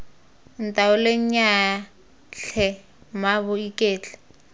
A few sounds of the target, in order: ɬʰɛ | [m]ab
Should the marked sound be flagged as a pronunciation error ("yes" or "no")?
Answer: no